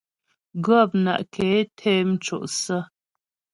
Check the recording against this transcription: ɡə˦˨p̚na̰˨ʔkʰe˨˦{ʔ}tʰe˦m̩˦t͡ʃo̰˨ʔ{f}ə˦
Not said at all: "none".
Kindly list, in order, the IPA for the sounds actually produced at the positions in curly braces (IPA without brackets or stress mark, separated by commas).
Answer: none, s